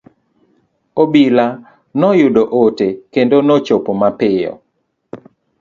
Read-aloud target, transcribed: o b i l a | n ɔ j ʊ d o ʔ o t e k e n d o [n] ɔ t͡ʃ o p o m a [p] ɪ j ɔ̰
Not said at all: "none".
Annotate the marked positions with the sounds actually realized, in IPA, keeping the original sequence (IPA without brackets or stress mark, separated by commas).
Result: n, p